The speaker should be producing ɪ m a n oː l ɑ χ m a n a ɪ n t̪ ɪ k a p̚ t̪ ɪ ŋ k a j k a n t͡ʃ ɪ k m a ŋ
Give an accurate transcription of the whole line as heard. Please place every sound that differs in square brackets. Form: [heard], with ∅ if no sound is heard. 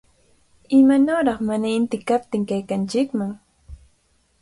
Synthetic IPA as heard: ɪ m a n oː [ɾ] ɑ χ m a n a ɪ n t̪ ɪ k a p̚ t̪ ɪ ŋ k a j k a n t͡ʃ ɪ k m a ŋ